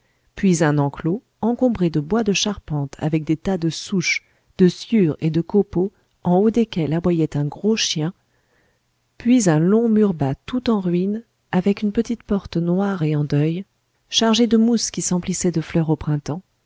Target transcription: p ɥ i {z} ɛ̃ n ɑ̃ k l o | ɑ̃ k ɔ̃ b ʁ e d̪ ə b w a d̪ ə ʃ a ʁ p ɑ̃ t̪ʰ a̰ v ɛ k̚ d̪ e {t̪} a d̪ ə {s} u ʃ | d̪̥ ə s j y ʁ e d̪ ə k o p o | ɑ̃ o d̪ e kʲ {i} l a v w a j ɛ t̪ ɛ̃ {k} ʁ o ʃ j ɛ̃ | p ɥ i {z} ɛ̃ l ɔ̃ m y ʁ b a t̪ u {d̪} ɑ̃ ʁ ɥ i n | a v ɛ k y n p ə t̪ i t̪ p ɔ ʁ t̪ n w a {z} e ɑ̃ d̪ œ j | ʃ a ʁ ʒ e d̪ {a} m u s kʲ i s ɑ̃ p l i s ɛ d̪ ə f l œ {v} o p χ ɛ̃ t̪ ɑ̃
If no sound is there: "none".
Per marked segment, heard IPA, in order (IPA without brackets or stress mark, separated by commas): z, t̪, s, ɛ, ɡ, z, t̪, ʁ, ə, ʁ